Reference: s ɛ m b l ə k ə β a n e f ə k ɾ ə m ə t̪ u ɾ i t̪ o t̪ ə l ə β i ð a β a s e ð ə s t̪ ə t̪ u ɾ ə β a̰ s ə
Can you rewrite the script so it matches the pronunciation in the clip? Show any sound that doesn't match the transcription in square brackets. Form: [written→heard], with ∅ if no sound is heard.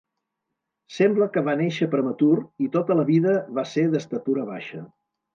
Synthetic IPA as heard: s ɛ m b l ə k ə β a n e [f→ʃ] ə [k→p] ɾ ə m ə t̪ u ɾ i t̪ o t̪ ə l ə β i ð [a→ə] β a s e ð ə s t̪ ə t̪ u ɾ ə β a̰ [s→ʃ] ə